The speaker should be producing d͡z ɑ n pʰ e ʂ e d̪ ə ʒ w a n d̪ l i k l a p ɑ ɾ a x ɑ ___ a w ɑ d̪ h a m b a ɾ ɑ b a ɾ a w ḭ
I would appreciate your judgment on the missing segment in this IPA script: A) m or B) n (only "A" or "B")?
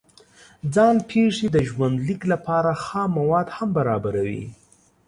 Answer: A